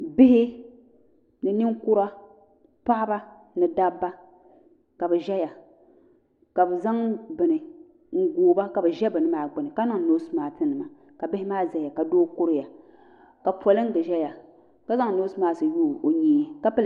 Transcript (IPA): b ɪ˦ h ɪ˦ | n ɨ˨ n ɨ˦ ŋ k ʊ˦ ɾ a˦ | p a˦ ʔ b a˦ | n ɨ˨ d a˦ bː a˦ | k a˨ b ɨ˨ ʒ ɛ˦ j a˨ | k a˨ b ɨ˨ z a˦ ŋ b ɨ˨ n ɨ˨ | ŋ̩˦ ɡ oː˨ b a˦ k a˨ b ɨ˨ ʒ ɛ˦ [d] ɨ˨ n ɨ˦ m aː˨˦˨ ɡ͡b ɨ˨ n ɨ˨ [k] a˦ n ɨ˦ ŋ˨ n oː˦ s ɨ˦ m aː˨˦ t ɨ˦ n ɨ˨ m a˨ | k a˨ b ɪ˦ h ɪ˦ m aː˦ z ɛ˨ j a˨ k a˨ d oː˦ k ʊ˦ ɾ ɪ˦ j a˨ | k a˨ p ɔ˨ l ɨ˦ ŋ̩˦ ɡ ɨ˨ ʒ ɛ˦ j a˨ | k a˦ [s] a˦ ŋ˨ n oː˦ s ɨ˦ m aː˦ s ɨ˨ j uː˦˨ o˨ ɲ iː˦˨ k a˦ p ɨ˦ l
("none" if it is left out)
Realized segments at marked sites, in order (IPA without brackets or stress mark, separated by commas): b, k, z